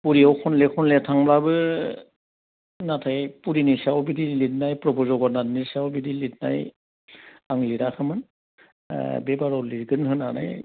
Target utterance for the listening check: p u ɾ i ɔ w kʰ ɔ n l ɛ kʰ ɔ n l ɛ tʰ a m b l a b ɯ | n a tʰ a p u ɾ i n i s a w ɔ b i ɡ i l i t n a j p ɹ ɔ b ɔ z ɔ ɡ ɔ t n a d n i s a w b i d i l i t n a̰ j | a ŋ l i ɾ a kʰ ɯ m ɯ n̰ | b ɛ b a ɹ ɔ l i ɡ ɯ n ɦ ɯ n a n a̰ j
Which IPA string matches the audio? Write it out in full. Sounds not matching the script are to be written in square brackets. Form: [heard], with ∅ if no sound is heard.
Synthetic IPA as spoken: p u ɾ i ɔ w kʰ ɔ n l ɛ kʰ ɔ n l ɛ tʰ a [ŋ] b l a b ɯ | n a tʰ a p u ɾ i n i s a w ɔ b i [d] i l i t n a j p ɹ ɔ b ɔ z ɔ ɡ ɔ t n a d n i s a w b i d i l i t n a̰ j | a ŋ l i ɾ a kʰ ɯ m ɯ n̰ | b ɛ b a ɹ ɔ l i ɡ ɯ n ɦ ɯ n a n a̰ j